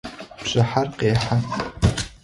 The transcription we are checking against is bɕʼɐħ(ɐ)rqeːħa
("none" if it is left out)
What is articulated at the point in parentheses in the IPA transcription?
a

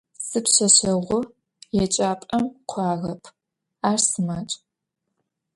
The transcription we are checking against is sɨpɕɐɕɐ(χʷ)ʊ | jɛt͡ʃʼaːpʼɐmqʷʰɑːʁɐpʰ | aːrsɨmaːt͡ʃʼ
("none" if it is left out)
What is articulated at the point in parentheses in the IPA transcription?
ʁʷ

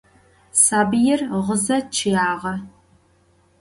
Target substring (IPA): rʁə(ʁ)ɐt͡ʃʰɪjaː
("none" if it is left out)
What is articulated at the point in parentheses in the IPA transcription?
z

